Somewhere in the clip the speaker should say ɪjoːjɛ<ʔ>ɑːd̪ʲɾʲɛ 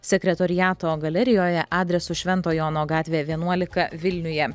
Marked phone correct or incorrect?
correct